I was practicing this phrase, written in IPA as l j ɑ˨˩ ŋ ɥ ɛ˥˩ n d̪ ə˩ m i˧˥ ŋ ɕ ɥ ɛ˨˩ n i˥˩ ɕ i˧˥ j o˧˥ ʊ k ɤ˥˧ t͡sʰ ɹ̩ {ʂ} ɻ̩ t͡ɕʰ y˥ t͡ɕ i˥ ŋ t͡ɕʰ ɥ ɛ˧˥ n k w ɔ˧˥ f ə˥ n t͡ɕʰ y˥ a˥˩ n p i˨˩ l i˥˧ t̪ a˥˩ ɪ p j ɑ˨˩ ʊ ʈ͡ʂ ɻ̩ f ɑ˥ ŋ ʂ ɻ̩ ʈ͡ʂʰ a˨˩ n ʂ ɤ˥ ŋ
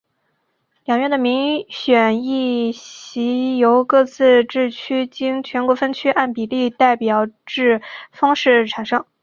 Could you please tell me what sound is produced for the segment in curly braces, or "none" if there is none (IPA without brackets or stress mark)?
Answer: ʈ͡ʂ